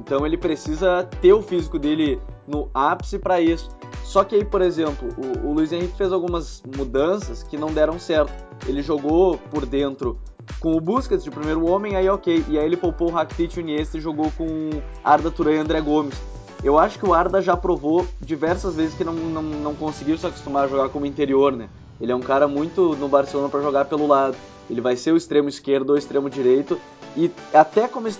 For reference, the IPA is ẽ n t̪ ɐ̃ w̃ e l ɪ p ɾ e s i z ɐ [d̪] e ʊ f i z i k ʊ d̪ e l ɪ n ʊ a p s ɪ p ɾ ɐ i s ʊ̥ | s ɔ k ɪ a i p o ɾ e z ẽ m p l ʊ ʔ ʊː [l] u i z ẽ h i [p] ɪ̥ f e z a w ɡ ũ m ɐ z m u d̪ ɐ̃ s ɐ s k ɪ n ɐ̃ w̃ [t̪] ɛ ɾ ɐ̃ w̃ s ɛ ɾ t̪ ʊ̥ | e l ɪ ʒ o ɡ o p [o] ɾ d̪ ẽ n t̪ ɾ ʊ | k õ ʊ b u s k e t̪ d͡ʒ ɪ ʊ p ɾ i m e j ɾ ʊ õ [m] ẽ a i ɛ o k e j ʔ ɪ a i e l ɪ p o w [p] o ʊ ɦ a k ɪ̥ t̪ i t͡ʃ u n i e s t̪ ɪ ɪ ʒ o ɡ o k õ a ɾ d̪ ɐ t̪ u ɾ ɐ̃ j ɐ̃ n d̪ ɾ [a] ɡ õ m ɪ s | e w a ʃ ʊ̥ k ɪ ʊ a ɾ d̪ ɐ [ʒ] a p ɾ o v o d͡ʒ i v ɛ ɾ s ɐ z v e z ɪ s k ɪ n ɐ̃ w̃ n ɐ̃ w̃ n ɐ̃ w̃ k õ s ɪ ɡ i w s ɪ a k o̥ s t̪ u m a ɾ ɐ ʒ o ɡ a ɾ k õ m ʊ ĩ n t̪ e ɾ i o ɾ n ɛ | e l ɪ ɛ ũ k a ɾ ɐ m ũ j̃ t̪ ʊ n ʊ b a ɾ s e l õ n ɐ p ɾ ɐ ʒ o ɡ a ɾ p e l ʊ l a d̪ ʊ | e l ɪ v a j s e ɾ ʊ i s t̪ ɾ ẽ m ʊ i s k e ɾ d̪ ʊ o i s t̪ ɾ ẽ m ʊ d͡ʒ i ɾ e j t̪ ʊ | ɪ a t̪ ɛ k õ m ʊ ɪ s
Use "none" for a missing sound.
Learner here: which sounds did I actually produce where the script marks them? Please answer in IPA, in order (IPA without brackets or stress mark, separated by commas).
t̪, l, k, d̪, o, m, p, ɛ, ʒ